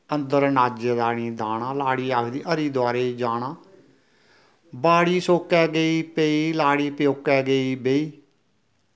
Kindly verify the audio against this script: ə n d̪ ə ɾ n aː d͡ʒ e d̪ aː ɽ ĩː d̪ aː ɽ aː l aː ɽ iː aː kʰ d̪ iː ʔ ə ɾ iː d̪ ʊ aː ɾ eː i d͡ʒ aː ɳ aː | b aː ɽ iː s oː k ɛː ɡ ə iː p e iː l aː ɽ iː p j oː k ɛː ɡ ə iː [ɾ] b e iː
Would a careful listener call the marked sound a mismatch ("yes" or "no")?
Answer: yes